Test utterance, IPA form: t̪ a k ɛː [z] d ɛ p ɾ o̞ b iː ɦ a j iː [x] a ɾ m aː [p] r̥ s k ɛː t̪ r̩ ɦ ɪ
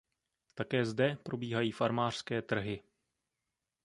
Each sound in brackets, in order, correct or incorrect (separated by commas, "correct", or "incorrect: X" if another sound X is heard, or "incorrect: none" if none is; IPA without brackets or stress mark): correct, incorrect: f, incorrect: none